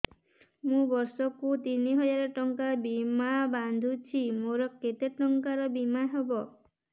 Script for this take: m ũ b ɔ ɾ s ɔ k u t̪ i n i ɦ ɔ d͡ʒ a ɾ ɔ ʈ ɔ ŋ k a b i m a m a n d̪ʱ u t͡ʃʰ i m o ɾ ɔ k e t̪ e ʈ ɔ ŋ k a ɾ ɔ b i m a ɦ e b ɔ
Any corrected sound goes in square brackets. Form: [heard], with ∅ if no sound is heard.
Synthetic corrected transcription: m ũ b ɔ ɾ s ɔ k u t̪ i n i ɦ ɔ d͡ʒ a ɾ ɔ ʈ ɔ ŋ k a b i m a [b] a n d̪ʱ u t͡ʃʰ i m o ɾ ɔ k e t̪ e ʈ ɔ ŋ k a ɾ ɔ b i m a ɦ e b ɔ